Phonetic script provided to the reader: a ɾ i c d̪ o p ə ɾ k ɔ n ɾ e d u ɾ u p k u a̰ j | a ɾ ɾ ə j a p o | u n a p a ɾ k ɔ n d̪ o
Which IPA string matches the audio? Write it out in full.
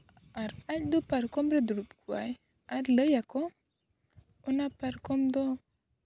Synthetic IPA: a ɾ a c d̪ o p a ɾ k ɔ m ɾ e d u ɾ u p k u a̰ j | a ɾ l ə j a k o | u n a p a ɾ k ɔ m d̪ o